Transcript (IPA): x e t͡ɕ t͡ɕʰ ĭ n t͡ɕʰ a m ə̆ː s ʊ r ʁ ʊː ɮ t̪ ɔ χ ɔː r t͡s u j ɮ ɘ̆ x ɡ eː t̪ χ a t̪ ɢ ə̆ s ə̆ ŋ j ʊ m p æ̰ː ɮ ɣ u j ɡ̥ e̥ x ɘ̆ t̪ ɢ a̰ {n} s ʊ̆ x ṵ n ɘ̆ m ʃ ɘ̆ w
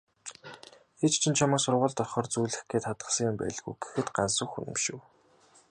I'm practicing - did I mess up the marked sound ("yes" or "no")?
no